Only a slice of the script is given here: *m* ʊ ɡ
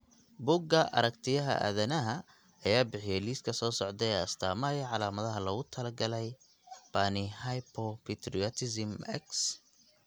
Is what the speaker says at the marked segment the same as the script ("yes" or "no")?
no